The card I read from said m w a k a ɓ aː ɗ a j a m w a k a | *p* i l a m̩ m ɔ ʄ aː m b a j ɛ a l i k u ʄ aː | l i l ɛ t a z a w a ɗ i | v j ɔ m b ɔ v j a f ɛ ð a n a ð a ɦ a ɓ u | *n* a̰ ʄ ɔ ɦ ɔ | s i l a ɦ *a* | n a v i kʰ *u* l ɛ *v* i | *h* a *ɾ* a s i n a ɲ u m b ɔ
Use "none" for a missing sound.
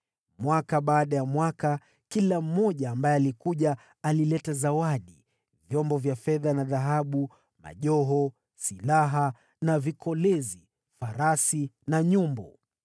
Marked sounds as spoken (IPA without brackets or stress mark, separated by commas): k, m, a, ɔ, z, f, ɾ